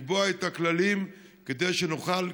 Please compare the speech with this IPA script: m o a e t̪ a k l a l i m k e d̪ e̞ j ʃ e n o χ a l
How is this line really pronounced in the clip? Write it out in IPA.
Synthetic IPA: b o a e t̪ a k l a l i m k e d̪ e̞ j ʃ e n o χ a l